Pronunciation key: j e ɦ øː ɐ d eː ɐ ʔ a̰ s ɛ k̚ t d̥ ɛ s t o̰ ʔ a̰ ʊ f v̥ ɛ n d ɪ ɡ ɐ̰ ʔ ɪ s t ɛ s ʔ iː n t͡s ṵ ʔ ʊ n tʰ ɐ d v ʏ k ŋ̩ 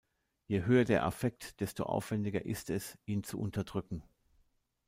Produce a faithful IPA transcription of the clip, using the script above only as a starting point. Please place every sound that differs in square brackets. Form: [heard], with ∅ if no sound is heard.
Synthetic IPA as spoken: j e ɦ øː ɐ d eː ɐ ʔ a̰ [f] ɛ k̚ t d̥ ɛ s t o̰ ʔ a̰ ʊ f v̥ ɛ n d ɪ ɡ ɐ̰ ʔ ɪ s t ɛ s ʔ iː n t͡s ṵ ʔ ʊ n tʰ ɐ d [ʁ] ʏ k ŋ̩

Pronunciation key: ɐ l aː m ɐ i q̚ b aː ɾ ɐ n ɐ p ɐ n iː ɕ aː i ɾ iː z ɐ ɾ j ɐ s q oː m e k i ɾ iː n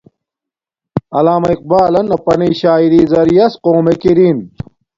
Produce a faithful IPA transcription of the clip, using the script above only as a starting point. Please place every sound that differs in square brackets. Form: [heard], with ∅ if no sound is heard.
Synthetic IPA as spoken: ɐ l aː m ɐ i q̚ b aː [l] ɐ n ɐ p ɐ n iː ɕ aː i ɾ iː z ɐ ɾ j ɐ s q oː m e k i ɾ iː n

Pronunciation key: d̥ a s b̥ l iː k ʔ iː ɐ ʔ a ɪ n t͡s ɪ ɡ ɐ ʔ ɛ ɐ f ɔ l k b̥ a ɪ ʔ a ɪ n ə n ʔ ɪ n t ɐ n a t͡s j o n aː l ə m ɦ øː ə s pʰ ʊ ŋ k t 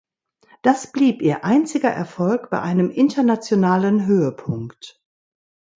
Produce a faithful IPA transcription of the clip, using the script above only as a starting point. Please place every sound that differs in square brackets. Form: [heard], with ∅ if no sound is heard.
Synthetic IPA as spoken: d̥ a s b̥ l iː [p] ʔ iː ɐ ʔ a ɪ n t͡s ɪ ɡ ɐ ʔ ɛ ɐ f ɔ l k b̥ a ɪ ʔ a ɪ n ə [m] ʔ ɪ n t ɐ n a t͡s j o n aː l ə [n] ɦ øː ə [∅] pʰ ʊ ŋ k t

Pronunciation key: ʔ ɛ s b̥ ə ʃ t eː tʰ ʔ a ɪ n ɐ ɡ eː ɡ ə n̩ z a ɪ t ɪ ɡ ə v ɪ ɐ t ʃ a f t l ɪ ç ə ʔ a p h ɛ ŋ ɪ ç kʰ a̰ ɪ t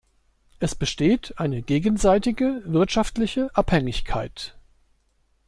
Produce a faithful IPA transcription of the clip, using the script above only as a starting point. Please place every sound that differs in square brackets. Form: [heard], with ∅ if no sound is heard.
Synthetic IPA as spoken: ʔ ɛ s b̥ ə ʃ t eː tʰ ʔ a ɪ n [ə] ɡ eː ɡ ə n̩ z a ɪ t ɪ ɡ ə v ɪ ɐ t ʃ a f t l ɪ ç ə ʔ a p h ɛ ŋ ɪ ç kʰ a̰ ɪ t

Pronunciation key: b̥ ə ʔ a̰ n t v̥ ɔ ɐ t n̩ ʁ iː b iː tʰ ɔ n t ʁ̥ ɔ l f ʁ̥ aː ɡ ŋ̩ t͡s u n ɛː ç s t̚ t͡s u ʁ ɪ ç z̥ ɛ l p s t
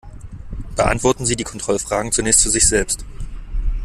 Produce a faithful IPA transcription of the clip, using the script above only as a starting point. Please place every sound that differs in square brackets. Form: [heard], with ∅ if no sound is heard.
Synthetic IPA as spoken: b̥ ə ʔ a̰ n t v̥ ɔ ɐ t n̩ [z] iː [d] iː [kʰ] ɔ n t ʁ̥ ɔ l f ʁ̥ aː ɡ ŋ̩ t͡s u n ɛː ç s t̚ t͡s u [z] ɪ ç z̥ ɛ l p s t

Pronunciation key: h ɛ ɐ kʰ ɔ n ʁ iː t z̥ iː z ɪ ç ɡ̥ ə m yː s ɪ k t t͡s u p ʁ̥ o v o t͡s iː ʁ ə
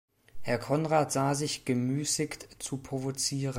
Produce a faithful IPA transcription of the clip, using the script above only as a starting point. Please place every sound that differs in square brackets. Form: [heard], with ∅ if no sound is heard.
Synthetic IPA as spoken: h ɛ ɐ kʰ ɔ n ʁ [aː] t z̥ [aː] z ɪ ç ɡ̥ ə m yː s ɪ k t t͡s u p ʁ̥ o v o t͡s iː ʁ ə

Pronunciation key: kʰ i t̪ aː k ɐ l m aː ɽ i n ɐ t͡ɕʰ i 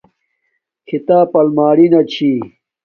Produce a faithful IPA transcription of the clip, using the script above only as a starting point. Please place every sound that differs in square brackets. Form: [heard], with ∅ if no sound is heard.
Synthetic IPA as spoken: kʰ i t̪ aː [p] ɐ l m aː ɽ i n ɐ t͡ɕʰ i

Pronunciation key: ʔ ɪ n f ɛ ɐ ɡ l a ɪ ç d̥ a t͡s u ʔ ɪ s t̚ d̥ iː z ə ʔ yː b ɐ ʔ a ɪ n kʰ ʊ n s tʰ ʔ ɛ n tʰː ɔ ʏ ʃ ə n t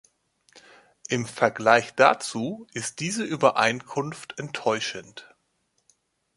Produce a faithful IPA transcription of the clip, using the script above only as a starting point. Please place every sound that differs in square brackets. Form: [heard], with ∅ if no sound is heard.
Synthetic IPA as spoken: ʔ ɪ [m] f ɛ ɐ ɡ l a ɪ ç d̥ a t͡s [uː] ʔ ɪ s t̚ d̥ iː z ə ʔ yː b ɐ ʔ a ɪ n kʰ ʊ n [f] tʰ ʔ ɛ n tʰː ɔ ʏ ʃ ə n t

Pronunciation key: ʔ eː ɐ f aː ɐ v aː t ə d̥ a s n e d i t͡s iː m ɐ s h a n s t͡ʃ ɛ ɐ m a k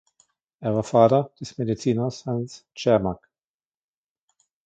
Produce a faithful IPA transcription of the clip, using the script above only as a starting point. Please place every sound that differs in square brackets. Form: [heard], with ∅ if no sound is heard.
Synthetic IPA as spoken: ʔ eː ɐ [v] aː ɐ [f] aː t [ɐ] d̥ [ɛ] s [m] e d i t͡s iː [n] ɐ s h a n s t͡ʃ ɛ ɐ m a k

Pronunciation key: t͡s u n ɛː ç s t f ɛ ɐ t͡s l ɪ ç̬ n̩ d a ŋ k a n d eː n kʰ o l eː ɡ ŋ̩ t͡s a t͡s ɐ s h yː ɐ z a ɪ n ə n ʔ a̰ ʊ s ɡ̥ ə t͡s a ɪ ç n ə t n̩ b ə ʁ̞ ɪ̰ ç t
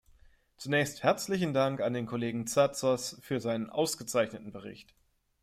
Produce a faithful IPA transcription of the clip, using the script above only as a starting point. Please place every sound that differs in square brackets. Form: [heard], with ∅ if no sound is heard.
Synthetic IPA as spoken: t͡s u n ɛː ç s t [h] ɛ ɐ t͡s l ɪ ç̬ n̩ d a ŋ k a n d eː n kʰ o l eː ɡ ŋ̩ t͡s a t͡s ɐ s [f] yː ɐ z a ɪ n ə n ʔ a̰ ʊ s ɡ̥ ə t͡s a ɪ ç n ə t n̩ b ə ʁ̞ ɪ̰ ç t

